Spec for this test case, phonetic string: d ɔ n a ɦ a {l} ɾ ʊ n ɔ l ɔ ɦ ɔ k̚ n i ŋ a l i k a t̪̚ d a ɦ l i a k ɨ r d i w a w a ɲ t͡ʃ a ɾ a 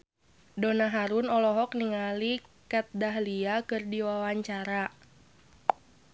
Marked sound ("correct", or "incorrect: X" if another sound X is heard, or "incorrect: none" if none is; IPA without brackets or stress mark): incorrect: none